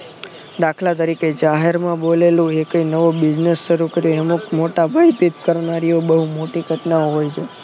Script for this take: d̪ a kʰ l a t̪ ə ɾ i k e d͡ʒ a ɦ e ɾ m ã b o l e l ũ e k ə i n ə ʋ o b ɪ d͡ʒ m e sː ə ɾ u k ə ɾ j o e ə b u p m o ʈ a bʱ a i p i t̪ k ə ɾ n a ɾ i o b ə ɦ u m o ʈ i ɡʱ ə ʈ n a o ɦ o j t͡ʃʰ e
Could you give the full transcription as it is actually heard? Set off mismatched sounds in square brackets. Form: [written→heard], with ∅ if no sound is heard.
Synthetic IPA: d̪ a kʰ l a t̪ ə ɾ i k e d͡ʒ a ɦ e ɾ m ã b o l e l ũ e k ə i n ə ʋ o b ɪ d͡ʒ [m→n] e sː ə ɾ u k ə ɾ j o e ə [b→m] u [p→k] m o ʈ a bʱ a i p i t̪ k ə ɾ n a ɾ i o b ə ɦ u m o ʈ i ɡʱ ə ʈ n a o ɦ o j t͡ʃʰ e